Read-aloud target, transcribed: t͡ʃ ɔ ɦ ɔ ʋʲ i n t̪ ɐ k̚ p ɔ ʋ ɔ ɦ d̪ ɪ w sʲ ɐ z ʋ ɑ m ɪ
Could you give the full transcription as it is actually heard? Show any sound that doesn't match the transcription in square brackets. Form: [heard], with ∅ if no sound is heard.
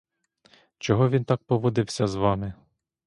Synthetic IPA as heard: t͡ʃ ɔ ɦ ɔ ʋʲ i n t̪ [ɑ] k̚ p ɔ ʋ ɔ [∅] d̪ ɪ w sʲ ɐ z ʋ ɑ m ɪ